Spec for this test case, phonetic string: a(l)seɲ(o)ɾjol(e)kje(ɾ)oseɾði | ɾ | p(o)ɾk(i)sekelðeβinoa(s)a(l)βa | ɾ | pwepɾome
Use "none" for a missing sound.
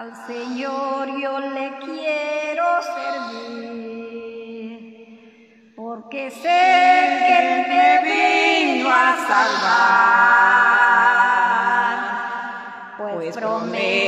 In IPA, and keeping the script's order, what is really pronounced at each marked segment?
l, o, e, ɾ, o, e, s, l

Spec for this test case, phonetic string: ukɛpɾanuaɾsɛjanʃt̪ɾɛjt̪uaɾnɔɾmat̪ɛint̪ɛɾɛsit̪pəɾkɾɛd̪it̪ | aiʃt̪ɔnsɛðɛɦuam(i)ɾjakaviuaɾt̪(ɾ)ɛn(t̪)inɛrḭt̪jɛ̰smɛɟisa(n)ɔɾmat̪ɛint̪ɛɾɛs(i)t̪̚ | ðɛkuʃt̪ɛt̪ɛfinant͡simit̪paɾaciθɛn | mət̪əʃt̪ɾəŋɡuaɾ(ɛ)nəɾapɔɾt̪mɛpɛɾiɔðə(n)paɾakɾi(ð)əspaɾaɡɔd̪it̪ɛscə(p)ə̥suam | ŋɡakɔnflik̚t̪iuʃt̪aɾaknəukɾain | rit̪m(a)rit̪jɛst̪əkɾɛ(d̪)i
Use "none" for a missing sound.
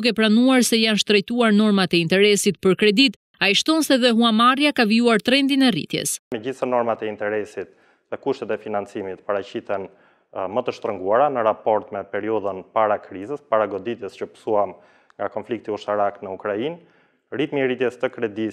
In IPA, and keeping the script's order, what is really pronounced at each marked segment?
a, ɾ, d̪, n, i, a, n, z, p, i, d̪

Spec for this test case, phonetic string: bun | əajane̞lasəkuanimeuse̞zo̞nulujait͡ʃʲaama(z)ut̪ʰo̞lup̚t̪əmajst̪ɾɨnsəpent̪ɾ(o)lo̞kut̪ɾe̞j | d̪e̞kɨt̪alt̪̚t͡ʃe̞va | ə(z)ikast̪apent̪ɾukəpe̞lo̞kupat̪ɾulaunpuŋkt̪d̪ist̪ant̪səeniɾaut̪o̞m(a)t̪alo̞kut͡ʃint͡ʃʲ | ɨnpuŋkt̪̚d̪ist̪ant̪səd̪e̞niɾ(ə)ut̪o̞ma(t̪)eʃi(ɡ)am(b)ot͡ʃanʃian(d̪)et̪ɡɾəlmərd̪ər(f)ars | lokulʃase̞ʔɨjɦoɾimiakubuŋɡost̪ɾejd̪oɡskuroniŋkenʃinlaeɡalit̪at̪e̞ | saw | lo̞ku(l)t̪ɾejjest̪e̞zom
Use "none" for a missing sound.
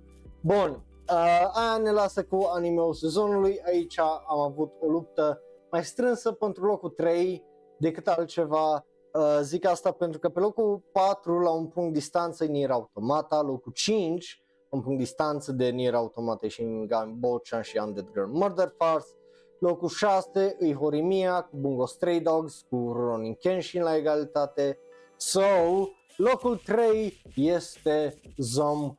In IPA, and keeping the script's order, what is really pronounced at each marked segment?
v, u, z, a, a, t̪, ɡ, b, d̪, f, l

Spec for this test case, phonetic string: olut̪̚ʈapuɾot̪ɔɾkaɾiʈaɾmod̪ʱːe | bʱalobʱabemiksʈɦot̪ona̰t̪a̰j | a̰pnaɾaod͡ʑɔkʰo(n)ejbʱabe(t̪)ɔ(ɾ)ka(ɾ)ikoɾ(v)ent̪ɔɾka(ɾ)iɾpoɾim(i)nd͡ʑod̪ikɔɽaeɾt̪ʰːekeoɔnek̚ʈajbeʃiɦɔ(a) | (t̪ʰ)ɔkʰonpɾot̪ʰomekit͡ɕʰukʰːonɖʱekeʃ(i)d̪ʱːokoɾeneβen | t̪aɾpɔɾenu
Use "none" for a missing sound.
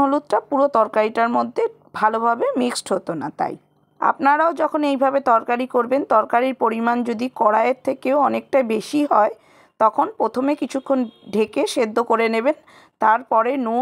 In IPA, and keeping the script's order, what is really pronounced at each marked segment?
n, t̪, ɾ, ɾ, b, ɾ, a, e, t̪, e

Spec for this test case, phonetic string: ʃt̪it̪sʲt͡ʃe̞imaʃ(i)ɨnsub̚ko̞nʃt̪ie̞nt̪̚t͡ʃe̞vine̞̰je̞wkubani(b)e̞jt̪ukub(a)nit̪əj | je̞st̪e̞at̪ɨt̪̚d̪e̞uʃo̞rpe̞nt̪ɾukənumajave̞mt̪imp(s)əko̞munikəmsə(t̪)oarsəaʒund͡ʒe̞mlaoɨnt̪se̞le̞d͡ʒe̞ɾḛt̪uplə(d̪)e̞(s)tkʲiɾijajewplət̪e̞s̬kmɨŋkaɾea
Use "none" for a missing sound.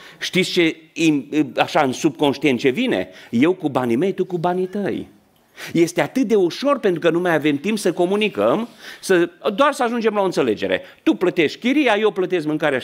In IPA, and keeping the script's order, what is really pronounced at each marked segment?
a, m, a, s, d̪, t̪, ʃ

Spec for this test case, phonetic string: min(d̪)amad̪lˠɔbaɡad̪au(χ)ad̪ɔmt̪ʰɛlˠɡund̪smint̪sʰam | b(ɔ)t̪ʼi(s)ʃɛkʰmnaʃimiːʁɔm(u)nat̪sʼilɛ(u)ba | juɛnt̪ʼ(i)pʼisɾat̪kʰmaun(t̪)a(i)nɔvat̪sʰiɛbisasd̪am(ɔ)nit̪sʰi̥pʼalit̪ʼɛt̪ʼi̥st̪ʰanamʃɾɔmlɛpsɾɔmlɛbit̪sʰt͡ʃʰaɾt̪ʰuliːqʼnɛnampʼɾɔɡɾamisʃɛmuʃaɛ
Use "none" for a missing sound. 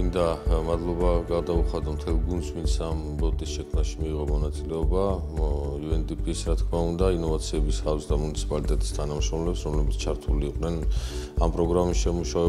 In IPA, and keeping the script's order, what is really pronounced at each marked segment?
d̪, χ, ɔ, s, ɔ, ɔ, i, d̪, i, u

